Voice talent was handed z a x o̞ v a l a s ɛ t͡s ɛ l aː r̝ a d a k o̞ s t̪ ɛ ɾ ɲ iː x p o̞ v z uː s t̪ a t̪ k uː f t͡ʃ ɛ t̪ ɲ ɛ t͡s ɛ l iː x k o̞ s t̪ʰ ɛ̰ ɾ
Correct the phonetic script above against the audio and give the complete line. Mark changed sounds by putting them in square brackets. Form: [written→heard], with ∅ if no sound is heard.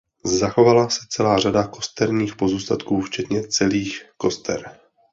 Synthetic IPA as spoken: z a x o̞ v a l a s ɛ t͡s ɛ l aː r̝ a d a k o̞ s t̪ ɛ ɾ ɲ iː x p o̞ [v→∅] z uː s t̪ a t̪ k uː f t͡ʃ ɛ t̪ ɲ ɛ t͡s ɛ l iː x k o̞ s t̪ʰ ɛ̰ ɾ